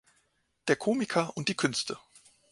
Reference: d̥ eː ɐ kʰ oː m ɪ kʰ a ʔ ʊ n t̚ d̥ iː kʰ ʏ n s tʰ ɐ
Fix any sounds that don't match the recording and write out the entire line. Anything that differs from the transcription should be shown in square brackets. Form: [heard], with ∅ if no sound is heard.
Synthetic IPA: d̥ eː ɐ kʰ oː m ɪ kʰ [ɐ] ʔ ʊ n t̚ d̥ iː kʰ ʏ n s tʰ [ə]